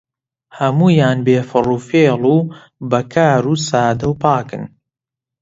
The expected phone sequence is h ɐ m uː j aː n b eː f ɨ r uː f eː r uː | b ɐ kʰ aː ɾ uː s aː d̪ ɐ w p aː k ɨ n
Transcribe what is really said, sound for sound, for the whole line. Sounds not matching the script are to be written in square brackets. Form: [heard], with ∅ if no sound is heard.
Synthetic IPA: h ɐ m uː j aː n b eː f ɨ r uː f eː [l] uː | b ɐ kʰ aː ɾ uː s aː d̪ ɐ w p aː k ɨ n